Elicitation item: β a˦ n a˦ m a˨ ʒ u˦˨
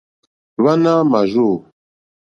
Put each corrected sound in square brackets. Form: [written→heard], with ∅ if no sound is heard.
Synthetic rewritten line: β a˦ n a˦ m a˨ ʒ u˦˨